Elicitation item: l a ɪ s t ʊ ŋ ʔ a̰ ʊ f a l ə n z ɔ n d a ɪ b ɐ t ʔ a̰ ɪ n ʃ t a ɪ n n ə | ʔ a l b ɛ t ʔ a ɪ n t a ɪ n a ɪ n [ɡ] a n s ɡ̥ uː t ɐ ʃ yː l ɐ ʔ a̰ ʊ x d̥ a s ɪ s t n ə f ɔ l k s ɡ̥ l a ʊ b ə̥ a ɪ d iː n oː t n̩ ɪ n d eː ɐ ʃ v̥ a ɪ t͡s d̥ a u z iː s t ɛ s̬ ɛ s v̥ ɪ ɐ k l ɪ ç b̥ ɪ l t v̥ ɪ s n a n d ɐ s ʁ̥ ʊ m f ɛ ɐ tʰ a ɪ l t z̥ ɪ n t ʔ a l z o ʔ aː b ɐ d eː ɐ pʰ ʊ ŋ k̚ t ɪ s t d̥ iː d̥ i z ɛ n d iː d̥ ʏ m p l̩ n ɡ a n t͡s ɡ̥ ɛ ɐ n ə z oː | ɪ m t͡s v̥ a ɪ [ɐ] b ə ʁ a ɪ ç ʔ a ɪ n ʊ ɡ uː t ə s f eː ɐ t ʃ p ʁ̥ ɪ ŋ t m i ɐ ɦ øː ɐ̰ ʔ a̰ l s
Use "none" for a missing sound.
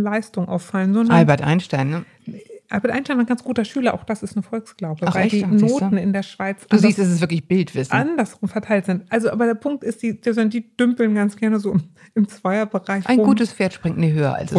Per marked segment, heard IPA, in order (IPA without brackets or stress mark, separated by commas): ɡ, ɐ